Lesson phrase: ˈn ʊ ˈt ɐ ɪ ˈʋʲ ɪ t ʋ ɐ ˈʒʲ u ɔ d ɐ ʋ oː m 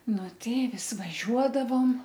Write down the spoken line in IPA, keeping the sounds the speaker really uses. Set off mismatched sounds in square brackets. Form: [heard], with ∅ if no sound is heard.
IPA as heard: ˈn ʊ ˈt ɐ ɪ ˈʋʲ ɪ [s] ʋ ɐ ˈʒʲ u ɔ d ɐ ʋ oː m